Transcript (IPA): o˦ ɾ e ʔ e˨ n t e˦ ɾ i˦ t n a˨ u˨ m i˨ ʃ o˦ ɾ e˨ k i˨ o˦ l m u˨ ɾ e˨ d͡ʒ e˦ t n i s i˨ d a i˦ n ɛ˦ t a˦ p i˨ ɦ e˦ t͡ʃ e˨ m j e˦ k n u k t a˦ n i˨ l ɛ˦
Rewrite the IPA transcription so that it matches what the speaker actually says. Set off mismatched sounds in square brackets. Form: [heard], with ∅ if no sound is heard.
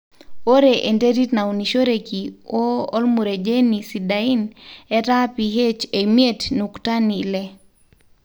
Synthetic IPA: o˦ ɾ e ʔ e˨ n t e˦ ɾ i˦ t n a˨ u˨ [n] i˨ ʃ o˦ ɾ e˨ k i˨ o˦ l m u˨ ɾ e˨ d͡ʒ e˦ [∅] n i s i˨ d a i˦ n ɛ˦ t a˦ p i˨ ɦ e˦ t͡ʃ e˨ m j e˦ [t] n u k t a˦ n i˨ l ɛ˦

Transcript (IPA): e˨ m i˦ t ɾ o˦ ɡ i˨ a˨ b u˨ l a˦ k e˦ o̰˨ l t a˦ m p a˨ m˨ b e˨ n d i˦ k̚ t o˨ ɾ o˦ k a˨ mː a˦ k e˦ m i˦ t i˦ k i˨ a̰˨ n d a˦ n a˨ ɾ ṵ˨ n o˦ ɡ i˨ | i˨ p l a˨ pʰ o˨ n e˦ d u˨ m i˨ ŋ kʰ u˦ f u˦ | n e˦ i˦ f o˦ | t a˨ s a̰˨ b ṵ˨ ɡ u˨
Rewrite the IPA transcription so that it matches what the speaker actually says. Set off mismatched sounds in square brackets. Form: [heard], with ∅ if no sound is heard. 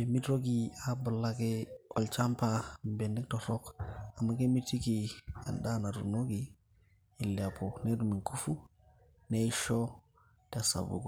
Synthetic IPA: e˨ m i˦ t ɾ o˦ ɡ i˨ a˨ b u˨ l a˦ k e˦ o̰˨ l [t͡ʃ] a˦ m p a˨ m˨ b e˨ n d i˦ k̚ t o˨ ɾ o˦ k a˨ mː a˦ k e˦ m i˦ t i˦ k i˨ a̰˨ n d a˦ n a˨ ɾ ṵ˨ n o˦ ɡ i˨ | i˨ [∅] l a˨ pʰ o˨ n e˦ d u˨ m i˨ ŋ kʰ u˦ f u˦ | n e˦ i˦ [ʃ] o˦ | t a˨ s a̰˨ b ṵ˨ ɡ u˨

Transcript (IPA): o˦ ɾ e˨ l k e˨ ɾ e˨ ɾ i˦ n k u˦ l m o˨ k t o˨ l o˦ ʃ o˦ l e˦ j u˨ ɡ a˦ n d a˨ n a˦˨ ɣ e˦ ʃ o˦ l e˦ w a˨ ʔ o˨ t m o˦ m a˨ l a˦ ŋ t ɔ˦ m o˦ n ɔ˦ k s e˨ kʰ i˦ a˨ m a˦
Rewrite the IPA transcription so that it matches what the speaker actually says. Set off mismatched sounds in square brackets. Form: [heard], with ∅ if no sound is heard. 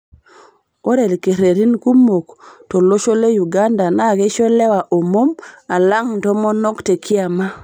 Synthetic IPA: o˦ ɾ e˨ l k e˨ ɾ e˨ ɾ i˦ n k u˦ [∅] m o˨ k t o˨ l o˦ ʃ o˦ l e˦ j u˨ ɡ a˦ n d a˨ n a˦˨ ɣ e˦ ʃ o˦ l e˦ w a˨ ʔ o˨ [∅] m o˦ m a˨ l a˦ ŋ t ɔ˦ m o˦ n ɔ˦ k [t] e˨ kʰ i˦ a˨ m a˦

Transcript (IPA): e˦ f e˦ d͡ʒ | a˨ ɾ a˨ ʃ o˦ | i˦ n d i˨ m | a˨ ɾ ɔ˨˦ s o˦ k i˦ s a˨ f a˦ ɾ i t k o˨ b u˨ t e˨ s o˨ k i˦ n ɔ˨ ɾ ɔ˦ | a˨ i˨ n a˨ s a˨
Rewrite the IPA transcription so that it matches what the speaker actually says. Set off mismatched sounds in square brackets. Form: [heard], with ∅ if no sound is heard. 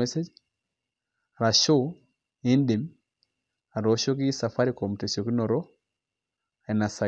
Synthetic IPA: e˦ [s] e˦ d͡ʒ | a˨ ɾ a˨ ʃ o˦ | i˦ n d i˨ m | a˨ ɾ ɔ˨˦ [ʃ] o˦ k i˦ s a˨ f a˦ ɾ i [∅] k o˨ [m] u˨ t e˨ s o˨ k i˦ n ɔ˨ ɾ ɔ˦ | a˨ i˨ n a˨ s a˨

